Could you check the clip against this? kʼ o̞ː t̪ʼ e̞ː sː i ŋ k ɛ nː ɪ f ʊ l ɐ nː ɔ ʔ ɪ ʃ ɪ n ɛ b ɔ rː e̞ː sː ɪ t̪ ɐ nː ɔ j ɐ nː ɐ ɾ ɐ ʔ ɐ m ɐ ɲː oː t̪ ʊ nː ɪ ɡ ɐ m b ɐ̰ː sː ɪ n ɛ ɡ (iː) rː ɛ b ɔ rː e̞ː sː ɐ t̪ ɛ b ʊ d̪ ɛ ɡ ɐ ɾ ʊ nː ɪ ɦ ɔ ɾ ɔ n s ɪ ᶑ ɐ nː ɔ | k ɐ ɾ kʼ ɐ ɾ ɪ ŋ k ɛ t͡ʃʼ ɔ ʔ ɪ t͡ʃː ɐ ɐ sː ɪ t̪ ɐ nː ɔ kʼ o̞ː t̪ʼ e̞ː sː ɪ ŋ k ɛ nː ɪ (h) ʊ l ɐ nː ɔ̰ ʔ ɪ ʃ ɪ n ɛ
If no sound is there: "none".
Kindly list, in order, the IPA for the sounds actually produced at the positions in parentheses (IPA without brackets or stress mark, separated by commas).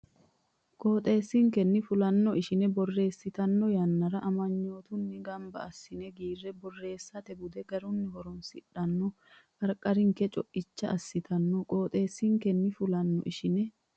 iː, f